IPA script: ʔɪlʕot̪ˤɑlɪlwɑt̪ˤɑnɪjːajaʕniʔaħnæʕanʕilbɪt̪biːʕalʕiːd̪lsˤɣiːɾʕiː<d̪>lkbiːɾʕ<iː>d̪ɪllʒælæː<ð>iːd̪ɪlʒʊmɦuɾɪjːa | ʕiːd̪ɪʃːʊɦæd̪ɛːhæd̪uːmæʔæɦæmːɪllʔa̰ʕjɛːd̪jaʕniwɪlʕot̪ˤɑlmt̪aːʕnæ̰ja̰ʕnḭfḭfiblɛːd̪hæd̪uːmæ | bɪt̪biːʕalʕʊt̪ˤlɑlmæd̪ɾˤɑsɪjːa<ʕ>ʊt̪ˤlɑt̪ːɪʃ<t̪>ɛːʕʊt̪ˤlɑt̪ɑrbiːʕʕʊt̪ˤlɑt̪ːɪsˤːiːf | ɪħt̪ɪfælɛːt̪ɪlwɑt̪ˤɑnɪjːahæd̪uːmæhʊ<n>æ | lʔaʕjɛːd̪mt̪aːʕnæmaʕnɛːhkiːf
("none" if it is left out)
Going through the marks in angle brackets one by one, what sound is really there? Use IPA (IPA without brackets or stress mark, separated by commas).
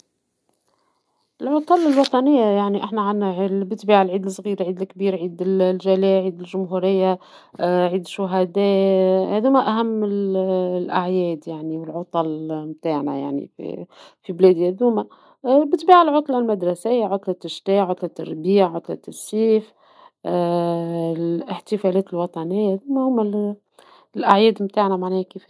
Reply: d̪, iː, ʕ, ʕ, t̪, m